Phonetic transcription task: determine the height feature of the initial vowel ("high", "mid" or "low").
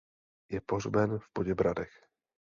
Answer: mid